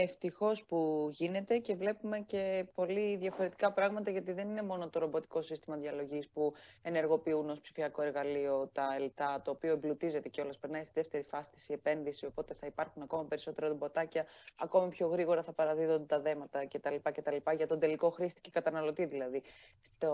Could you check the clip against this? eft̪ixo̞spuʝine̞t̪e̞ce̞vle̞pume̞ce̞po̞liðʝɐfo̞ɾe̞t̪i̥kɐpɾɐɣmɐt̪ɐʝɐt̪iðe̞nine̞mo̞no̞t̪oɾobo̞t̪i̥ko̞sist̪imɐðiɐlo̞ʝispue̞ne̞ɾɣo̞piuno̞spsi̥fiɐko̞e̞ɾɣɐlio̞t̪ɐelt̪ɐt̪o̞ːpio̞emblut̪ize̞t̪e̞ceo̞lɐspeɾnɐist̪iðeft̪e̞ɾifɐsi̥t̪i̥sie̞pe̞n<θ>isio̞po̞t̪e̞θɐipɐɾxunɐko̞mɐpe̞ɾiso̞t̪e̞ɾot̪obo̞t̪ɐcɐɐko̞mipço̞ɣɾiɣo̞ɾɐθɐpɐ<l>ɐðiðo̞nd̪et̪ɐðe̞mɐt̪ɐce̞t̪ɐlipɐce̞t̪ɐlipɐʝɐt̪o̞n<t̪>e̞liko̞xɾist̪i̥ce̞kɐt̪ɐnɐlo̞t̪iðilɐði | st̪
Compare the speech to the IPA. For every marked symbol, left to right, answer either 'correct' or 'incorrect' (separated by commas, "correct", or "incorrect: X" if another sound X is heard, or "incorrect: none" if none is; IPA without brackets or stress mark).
incorrect: ð, incorrect: ɾ, incorrect: d̪